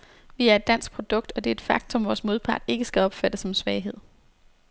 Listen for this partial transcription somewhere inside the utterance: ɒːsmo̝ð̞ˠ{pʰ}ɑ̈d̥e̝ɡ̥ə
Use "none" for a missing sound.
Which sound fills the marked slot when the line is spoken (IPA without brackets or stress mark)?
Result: pʰ